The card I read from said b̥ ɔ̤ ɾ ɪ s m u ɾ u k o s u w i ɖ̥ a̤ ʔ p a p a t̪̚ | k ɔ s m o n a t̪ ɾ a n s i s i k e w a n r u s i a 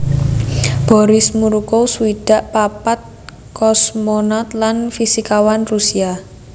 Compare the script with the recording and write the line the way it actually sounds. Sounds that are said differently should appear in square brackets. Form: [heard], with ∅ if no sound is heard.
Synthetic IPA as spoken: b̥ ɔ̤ ɾ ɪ s m u ɾ u k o s u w i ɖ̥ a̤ ʔ p a p a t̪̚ | k ɔ s m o n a t̪ [l] a n [f] i s i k [a] w a n r u s i a